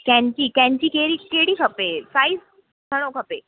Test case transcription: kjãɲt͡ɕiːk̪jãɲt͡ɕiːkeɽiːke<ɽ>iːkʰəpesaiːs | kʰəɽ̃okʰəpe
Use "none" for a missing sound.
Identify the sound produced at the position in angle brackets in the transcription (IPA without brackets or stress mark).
ɽ